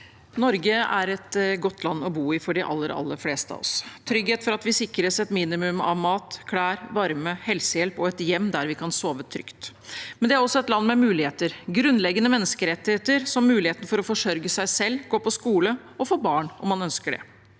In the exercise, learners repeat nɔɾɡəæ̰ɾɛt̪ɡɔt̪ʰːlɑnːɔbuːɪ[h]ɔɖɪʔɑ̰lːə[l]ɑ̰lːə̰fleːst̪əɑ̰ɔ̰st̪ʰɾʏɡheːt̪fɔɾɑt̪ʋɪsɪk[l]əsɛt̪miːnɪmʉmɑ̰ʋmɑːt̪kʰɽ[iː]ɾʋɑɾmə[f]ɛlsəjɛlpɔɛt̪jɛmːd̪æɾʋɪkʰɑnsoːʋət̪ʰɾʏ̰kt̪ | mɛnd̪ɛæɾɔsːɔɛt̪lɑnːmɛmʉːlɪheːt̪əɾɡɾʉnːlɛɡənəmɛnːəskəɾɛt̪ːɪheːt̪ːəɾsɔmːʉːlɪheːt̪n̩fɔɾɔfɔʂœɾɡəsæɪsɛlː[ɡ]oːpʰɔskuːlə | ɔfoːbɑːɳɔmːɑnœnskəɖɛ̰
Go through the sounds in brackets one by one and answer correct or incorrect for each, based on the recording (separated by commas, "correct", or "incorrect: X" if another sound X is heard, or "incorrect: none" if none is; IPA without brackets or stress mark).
incorrect: f, incorrect: ɾ, incorrect: ɾ, incorrect: æː, incorrect: h, correct